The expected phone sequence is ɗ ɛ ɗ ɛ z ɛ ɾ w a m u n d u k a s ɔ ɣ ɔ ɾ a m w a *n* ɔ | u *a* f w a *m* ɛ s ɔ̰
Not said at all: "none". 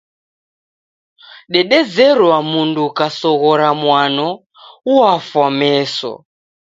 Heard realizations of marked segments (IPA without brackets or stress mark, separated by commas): n, a, m